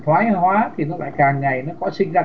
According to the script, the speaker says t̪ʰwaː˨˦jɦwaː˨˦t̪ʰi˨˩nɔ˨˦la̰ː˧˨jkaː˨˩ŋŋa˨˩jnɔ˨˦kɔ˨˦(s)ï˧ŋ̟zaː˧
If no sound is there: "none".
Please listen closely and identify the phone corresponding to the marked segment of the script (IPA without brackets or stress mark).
s